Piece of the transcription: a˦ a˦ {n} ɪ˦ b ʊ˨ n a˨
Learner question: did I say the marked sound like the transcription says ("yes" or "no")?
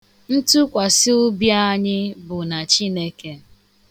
no